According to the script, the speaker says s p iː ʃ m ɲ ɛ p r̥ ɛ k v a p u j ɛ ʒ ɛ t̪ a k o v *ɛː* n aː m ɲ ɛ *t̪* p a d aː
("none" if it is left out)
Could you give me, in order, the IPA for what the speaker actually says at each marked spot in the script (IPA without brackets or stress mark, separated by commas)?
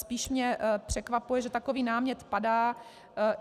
iː, t̪